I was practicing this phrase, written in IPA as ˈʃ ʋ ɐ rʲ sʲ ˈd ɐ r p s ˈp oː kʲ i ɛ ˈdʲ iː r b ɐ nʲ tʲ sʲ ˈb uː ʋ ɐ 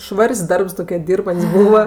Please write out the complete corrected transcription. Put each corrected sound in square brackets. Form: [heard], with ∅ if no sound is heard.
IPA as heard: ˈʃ ʋ ɐ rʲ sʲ ˈd ɐ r p s [ˈt] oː kʲ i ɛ ˈdʲ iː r b ɐ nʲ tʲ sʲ ˈb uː ʋ ɐ